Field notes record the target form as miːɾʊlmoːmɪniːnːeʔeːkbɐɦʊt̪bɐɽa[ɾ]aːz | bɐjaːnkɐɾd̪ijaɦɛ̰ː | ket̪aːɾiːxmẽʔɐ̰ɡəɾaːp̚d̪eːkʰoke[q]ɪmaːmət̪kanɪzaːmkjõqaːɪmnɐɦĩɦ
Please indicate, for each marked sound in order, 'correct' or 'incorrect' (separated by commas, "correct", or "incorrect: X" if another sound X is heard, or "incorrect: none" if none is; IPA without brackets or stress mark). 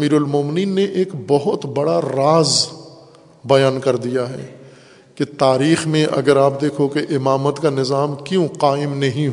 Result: correct, incorrect: ʔ